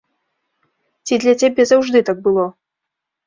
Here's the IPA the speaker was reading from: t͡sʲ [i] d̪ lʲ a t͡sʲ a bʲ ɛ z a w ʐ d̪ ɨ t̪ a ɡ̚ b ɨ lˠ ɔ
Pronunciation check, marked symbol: correct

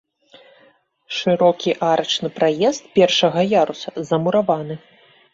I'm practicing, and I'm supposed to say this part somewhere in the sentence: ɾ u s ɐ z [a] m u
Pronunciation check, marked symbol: incorrect: ɐ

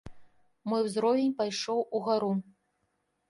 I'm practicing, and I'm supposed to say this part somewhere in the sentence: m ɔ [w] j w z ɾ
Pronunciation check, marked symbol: incorrect: none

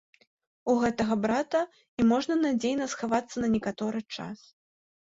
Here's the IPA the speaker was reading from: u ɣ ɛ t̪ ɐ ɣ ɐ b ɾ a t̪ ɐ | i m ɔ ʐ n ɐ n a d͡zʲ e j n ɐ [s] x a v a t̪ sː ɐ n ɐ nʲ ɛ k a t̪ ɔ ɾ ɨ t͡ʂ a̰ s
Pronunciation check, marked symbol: correct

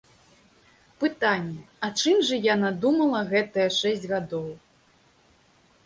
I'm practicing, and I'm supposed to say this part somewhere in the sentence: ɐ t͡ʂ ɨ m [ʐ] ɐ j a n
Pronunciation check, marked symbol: correct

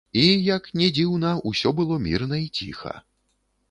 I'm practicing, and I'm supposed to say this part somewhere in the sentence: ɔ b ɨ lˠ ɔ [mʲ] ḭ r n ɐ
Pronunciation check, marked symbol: correct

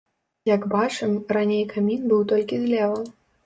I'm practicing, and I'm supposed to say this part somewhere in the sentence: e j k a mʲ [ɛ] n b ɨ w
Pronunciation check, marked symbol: incorrect: i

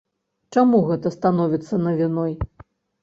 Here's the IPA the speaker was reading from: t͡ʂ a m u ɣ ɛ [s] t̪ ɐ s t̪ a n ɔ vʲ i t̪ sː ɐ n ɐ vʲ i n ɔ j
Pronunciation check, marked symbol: incorrect: none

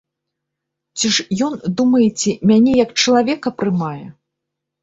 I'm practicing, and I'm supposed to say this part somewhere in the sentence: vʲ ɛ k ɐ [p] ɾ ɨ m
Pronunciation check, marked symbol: correct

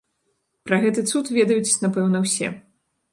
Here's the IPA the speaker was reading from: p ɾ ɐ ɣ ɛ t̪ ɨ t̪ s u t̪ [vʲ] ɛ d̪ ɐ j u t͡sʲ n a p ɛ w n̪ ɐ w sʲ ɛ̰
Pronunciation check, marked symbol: correct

